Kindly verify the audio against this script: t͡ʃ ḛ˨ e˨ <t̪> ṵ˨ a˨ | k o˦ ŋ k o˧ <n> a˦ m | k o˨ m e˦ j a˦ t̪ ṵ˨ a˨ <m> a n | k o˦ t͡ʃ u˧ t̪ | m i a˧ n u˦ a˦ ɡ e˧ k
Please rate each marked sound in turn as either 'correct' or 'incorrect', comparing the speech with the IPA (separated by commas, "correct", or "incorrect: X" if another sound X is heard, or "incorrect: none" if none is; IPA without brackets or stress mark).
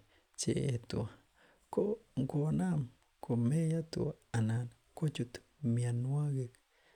correct, correct, incorrect: n